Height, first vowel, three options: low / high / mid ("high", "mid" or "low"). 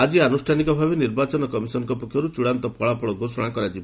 low